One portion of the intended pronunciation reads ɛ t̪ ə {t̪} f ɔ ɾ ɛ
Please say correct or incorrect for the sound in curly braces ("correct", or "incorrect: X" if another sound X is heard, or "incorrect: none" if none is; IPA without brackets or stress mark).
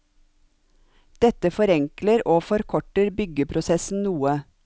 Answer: incorrect: none